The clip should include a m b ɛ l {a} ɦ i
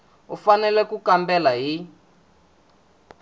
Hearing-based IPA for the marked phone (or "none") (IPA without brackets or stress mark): a